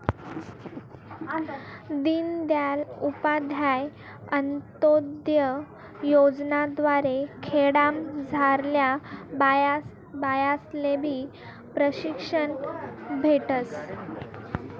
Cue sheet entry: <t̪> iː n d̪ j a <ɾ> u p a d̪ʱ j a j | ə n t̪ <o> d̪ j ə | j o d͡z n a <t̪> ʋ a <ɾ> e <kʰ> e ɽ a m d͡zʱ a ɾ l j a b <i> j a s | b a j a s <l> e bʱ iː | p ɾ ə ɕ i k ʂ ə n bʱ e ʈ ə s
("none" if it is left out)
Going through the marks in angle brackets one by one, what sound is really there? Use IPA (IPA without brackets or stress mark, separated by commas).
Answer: d̪, l, o, d̪, ɾ, kʰ, a, l